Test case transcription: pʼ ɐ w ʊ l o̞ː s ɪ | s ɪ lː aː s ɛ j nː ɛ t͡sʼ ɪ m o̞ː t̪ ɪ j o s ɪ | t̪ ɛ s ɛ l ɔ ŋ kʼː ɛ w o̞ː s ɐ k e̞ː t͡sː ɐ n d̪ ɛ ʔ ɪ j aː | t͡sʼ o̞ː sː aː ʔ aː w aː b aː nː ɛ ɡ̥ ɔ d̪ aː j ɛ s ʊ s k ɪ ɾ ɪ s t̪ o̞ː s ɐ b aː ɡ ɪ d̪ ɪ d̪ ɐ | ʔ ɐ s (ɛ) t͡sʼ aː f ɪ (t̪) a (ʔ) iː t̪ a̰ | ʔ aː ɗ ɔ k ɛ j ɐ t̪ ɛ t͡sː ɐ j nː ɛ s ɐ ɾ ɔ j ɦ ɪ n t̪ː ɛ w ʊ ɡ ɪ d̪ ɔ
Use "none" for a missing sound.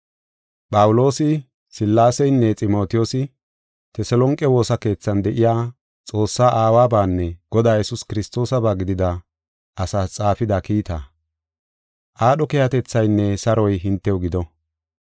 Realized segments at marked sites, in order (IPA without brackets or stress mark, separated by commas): a, d̪, k